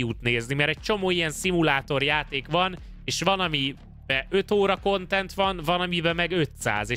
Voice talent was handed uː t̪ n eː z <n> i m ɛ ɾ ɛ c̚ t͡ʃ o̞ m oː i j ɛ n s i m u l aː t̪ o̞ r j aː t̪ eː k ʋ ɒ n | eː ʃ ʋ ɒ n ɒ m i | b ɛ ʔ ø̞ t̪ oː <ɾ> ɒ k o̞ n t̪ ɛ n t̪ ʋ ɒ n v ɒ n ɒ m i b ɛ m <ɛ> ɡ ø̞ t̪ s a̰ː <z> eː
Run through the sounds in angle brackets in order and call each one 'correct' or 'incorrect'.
correct, correct, correct, correct

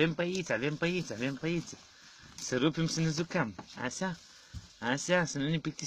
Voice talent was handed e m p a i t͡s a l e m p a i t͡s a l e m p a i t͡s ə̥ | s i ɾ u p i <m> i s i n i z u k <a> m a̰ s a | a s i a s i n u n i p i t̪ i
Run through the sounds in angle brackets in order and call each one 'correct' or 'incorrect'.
correct, correct

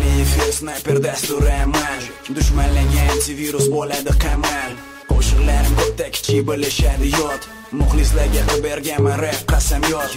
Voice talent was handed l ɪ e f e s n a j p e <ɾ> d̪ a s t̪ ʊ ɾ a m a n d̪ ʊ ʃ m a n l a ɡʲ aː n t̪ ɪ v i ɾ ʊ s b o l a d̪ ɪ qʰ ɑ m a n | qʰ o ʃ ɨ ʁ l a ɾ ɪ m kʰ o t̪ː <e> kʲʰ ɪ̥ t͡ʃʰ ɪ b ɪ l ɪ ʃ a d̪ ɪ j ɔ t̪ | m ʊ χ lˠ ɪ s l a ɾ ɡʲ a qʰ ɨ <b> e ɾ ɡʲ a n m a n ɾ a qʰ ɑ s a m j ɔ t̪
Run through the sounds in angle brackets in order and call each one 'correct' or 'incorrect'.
correct, incorrect: a, correct

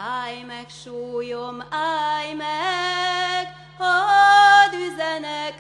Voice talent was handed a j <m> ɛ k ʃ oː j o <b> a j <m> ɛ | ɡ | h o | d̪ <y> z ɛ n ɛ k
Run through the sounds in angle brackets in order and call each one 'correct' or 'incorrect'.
correct, incorrect: m, correct, correct

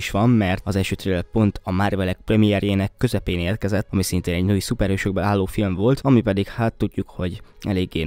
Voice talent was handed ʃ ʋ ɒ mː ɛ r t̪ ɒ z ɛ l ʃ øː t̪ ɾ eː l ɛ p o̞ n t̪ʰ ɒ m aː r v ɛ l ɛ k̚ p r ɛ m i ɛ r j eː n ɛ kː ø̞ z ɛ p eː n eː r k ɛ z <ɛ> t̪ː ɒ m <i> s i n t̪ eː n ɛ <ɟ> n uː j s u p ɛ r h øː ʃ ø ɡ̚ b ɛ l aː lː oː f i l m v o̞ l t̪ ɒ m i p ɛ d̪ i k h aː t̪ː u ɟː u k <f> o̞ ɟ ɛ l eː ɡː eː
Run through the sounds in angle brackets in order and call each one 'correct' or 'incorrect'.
correct, correct, correct, incorrect: h

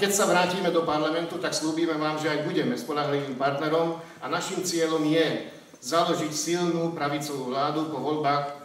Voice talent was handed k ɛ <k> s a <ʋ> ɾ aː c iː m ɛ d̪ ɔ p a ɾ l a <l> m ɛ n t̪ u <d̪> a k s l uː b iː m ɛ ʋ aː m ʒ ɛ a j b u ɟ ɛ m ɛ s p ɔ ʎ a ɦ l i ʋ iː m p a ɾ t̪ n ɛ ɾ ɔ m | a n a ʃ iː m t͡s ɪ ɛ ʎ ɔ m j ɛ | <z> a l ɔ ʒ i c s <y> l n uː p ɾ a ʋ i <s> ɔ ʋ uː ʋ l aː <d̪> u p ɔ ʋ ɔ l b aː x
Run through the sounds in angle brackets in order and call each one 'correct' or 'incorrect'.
incorrect: c, correct, incorrect: none, incorrect: t̪, correct, incorrect: i, incorrect: t͡s, correct

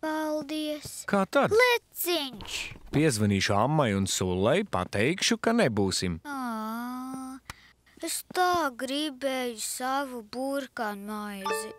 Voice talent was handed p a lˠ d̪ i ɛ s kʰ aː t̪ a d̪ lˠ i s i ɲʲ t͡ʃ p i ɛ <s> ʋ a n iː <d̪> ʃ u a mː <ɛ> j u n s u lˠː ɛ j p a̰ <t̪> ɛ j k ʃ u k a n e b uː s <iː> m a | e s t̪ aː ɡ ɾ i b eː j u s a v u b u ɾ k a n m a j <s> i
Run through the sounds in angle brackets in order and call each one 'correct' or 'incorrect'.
incorrect: z, incorrect: none, incorrect: a, correct, incorrect: i, incorrect: z

